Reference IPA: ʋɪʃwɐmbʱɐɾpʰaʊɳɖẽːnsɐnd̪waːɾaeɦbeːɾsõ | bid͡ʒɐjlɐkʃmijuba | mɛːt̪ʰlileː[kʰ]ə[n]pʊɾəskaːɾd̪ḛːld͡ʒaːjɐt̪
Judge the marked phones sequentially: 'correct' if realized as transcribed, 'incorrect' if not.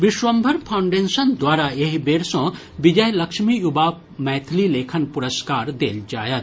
correct, correct

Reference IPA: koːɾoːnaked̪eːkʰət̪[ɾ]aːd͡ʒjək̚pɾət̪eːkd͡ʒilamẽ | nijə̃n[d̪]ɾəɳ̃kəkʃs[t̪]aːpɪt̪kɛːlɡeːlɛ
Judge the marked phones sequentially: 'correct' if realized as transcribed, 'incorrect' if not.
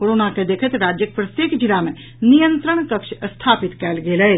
correct, incorrect, incorrect

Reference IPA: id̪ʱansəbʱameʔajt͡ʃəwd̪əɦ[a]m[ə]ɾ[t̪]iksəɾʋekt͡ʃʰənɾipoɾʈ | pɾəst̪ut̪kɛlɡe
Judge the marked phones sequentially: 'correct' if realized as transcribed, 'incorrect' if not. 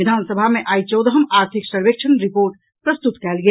incorrect, incorrect, incorrect

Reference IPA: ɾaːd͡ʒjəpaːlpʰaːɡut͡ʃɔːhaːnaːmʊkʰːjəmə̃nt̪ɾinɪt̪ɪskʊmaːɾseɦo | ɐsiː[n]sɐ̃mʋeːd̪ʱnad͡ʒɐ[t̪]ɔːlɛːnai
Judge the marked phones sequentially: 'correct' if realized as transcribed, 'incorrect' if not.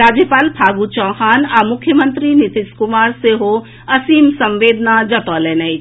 incorrect, correct

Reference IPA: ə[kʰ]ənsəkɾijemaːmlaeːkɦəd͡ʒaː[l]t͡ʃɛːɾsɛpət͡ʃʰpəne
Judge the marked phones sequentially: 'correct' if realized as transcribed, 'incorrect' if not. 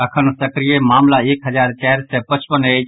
correct, incorrect

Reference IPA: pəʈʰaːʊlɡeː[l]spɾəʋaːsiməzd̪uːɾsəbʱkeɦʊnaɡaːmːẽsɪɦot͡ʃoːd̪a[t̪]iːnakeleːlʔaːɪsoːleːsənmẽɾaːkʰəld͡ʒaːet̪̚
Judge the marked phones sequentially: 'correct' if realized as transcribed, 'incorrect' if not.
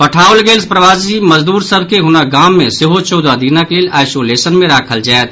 correct, incorrect

